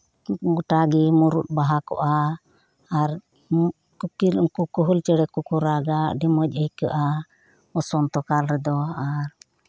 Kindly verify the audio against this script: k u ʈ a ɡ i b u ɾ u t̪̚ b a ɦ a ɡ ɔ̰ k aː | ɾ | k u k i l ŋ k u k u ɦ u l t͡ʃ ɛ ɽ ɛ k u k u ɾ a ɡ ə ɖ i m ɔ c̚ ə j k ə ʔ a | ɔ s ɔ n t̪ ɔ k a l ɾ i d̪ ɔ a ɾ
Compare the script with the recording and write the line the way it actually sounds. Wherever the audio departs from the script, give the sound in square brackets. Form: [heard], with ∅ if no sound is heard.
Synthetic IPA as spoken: [ɡ] u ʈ a ɡ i [m] u ɾ u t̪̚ b a ɦ a [k] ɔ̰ [ʔ] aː | ɾ | k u k i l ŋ k u k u ɦ u l t͡ʃ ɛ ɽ ɛ k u k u ɾ a ɡ [a] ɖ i m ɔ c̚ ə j k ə ʔ a | ɔ s ɔ n t̪ ɔ k a l ɾ [ɛ] d̪ ɔ a ɾ